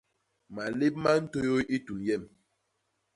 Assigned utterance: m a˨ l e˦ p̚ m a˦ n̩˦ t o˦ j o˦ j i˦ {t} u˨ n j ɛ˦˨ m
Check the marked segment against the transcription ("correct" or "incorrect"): correct